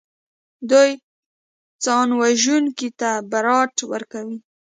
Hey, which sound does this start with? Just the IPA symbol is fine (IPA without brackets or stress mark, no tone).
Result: d̪